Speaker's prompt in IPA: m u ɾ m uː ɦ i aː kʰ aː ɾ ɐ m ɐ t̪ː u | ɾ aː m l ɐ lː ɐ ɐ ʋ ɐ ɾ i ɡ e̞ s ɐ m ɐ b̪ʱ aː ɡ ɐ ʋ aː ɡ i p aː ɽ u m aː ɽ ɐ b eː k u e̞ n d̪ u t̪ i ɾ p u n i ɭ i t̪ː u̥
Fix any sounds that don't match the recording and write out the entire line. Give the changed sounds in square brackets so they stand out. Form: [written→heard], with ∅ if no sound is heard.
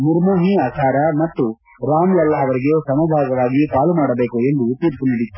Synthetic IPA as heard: m u ɾ m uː ɦ i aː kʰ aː ɾ ɐ m ɐ t̪ː u | ɾ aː m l ɐ lː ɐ ɐ ʋ ɐ ɾ i ɡ e̞ s ɐ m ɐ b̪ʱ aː ɡ ɐ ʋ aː ɡ i p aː [ɽ→l] u m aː ɽ ɐ b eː k u e̞ n d̪ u t̪ i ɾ p u n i [ɭ→ɽ] i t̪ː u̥